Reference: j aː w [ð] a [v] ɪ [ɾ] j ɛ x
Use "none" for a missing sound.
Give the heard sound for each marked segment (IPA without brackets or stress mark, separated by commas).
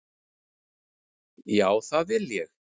θ, v, l